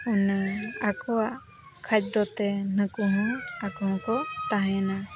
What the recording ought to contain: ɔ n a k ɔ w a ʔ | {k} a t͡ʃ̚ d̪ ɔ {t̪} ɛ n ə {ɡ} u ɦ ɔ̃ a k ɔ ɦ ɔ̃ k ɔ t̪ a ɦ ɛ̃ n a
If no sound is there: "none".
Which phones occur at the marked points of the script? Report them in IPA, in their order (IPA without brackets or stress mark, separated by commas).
kʰ, t̪, k